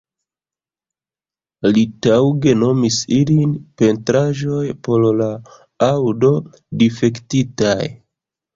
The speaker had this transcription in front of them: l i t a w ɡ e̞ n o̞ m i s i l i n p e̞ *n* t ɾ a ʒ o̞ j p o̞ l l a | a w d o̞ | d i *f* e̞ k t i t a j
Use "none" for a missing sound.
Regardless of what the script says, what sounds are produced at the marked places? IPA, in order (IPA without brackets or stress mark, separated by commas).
n, f